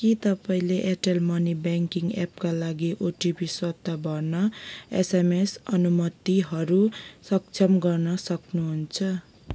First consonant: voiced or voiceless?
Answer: voiceless